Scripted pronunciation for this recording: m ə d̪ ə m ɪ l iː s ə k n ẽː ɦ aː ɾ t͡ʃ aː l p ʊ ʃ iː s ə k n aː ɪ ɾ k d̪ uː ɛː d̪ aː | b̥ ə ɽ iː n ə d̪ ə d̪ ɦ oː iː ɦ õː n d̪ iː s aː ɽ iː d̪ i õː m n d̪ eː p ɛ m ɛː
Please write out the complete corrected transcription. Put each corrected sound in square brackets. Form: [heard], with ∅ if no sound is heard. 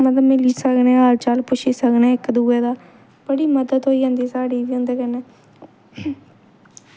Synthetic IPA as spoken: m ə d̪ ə m ɪ l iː s ə k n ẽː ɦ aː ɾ t͡ʃ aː l p ʊ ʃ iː s ə k n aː ɪ [∅] k d̪ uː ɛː d̪ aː | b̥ ə ɽ iː [m] ə d̪ ə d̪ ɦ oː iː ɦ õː n d̪ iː s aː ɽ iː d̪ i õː [∅] n d̪ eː [k] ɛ [n] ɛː